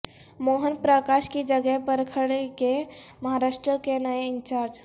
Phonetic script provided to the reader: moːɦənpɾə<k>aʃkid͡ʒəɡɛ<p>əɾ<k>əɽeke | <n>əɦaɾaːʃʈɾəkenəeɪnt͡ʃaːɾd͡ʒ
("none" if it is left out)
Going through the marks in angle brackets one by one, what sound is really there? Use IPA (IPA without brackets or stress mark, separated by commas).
k, p, kʰ, m